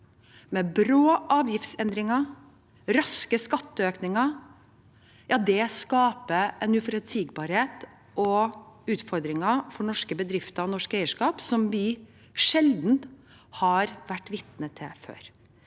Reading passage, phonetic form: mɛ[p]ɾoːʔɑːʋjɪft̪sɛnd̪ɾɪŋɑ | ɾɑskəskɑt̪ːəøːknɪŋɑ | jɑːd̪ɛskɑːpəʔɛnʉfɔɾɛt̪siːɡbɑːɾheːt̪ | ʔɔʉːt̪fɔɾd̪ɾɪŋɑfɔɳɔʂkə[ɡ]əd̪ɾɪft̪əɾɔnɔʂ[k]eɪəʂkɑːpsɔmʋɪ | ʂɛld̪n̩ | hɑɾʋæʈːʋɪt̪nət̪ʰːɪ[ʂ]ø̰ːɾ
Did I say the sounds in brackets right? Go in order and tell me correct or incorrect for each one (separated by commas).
incorrect, incorrect, correct, incorrect